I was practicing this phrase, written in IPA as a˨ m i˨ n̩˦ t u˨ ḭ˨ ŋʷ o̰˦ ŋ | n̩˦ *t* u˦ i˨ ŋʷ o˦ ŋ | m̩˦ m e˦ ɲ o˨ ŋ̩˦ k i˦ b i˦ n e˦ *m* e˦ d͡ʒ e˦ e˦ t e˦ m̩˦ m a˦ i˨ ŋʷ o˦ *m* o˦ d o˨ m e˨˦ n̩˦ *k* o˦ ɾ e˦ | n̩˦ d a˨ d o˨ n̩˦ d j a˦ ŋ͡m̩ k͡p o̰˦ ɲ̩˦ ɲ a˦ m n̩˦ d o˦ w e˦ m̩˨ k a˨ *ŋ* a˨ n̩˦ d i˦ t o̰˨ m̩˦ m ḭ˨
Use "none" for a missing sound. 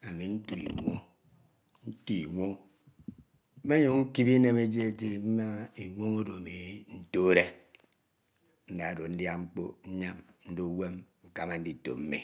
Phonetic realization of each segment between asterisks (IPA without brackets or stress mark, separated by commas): t, m, ŋ, t, m